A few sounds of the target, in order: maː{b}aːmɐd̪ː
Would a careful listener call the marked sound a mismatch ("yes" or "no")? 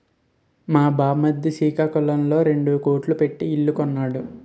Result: no